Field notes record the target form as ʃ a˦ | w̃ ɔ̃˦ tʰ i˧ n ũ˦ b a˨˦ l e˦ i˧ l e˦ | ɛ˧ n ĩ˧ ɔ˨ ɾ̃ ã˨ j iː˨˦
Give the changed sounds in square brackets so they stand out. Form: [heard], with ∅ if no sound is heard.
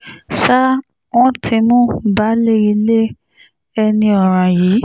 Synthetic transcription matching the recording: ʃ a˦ | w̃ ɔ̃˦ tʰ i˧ [m] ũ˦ b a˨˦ l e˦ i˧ l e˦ | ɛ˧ n ĩ˧ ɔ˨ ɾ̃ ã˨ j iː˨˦